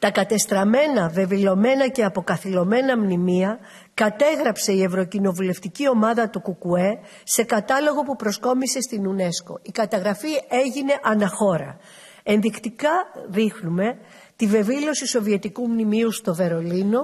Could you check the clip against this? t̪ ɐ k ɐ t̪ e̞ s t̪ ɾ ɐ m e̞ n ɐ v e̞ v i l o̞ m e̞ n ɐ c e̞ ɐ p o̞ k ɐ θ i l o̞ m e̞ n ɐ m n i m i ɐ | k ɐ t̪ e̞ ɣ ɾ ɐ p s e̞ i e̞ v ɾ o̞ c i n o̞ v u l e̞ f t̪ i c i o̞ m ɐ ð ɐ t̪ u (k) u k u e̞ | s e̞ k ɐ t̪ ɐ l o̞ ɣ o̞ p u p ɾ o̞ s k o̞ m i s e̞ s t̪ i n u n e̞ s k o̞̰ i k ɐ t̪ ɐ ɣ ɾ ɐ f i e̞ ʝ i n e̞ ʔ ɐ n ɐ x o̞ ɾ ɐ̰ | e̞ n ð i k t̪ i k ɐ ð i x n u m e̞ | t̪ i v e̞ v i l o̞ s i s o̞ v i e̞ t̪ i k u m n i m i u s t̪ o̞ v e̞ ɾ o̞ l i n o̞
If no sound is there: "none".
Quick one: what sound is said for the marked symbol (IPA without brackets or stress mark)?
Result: k